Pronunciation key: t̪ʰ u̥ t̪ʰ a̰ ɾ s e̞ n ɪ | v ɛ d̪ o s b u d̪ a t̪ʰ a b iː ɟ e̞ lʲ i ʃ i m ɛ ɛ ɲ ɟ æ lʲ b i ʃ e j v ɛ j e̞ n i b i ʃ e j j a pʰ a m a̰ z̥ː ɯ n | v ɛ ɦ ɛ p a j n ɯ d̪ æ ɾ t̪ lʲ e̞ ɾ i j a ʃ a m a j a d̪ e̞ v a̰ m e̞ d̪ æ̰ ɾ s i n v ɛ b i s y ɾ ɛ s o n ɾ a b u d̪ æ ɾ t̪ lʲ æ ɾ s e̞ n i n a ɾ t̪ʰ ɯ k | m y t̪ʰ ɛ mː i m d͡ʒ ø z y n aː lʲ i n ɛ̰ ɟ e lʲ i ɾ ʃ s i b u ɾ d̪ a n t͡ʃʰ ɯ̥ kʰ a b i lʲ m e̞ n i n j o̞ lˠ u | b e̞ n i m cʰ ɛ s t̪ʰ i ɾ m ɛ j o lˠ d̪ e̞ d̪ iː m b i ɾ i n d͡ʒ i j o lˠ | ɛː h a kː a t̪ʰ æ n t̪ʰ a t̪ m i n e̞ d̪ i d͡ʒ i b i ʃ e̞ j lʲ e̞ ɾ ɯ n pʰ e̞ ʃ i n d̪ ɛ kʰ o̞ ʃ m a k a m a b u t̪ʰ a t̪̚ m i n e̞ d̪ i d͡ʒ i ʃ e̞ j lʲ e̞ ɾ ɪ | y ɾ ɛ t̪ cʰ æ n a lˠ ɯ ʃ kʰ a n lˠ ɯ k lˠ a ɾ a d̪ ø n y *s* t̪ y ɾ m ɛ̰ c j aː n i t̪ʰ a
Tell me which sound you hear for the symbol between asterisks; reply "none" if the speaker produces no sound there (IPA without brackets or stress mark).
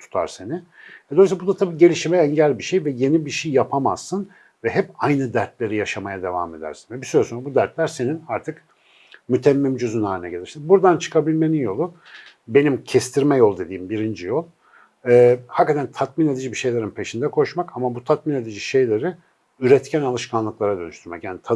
ʃ